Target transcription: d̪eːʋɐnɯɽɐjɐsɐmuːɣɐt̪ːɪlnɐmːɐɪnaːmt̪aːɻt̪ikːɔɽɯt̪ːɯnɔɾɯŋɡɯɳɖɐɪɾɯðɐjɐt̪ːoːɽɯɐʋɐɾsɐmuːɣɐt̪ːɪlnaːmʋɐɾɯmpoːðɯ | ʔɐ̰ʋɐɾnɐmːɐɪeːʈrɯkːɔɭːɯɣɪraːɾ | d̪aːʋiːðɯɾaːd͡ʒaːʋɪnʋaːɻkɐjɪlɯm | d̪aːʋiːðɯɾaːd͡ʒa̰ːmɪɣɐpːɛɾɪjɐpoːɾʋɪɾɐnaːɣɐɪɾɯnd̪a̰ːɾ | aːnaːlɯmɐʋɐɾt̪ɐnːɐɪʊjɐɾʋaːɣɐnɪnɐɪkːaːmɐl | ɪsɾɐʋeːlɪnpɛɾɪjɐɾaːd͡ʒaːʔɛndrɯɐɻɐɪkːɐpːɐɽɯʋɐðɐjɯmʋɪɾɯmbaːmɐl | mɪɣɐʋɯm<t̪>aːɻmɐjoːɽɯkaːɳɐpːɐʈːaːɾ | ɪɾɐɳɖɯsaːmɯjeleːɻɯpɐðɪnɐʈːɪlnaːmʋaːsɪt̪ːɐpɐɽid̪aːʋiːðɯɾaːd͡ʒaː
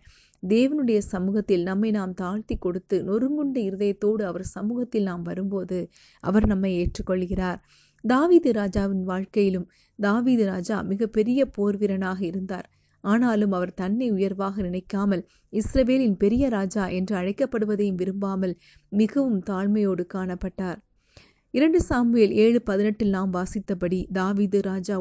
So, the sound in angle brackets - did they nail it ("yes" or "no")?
yes